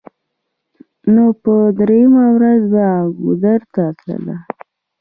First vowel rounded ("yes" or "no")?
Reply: yes